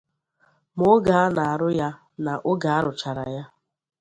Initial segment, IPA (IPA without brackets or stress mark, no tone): m